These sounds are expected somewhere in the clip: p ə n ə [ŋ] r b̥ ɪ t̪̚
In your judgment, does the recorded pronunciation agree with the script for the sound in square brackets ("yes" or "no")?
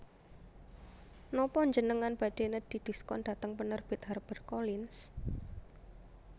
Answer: no